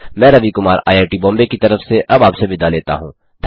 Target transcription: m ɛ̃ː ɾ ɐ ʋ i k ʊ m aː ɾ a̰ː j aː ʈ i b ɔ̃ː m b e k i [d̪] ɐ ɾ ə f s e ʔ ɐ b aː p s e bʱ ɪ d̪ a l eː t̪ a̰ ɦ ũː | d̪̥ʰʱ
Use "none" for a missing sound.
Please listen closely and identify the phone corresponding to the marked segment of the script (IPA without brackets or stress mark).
t̪